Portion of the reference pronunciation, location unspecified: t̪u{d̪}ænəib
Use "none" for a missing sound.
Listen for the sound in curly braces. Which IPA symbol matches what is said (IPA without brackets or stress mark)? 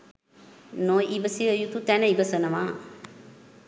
t̪